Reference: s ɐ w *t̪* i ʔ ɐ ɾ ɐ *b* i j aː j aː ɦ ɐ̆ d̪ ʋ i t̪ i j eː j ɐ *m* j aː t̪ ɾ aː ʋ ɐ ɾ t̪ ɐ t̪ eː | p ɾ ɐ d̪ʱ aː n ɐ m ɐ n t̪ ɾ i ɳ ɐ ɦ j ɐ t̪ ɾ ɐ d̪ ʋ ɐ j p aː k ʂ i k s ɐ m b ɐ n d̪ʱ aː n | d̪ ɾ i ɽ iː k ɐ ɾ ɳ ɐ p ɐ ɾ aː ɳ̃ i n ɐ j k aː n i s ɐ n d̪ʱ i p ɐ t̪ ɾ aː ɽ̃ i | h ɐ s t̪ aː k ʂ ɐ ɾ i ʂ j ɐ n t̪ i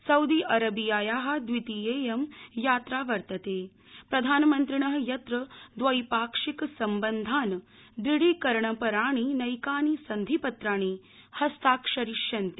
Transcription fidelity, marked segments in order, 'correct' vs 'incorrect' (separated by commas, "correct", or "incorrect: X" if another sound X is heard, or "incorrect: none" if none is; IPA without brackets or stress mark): incorrect: d̪, correct, correct